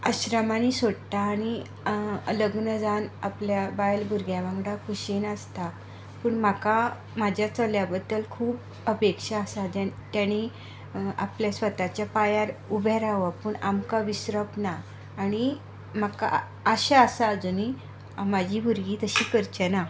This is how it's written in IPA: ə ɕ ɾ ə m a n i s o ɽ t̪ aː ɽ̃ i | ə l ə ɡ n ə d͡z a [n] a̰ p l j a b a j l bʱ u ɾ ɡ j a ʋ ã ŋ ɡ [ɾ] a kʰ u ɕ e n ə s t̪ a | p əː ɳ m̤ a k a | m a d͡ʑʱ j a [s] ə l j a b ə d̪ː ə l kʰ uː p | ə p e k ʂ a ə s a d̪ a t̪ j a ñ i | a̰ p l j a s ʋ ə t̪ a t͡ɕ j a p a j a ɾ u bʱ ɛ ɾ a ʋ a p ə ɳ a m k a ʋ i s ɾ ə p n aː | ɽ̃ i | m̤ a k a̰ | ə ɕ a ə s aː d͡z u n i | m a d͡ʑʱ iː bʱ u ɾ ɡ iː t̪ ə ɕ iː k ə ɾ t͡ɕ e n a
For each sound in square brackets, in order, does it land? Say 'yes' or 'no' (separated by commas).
yes, no, no